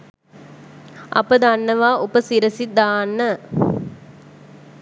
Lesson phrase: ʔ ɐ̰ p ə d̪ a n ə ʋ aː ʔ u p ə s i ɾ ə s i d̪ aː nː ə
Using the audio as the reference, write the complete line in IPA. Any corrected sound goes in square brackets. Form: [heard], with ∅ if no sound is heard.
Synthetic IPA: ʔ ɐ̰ p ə d̪ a [nː] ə ʋ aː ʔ u p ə s i ɾ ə s i d̪ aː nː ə